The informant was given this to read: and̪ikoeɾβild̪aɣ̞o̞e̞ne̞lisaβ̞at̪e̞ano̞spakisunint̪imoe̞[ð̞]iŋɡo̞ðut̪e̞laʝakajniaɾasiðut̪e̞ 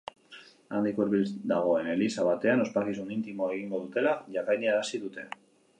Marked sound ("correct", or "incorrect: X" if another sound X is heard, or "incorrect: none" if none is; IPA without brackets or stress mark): incorrect: ɣ̞